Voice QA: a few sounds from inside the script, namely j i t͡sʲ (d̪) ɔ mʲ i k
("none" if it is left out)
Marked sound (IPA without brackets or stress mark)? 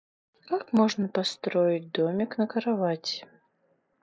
d̪